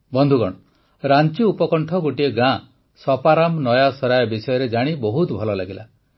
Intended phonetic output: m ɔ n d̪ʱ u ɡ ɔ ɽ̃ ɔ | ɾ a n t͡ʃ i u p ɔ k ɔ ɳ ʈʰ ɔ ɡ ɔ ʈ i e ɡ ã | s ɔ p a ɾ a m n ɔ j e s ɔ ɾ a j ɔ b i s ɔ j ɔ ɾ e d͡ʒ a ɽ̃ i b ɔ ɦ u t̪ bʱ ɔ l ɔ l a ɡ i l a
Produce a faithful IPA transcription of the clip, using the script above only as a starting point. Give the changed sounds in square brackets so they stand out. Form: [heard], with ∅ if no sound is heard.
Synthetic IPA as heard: [b] ɔ n d̪ʱ u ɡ ɔ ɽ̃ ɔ | ɾ a n t͡ʃ i u p ɔ k ɔ ɳ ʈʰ ɔ ɡ [o] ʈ i e ɡ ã | s ɔ p a ɾ a m n ɔ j [a] s ɔ ɾ a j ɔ b i s ɔ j ɔ ɾ e d͡ʒ a ɽ̃ i b ɔ ɦ u t̪ bʱ ɔ l ɔ l a ɡ i l a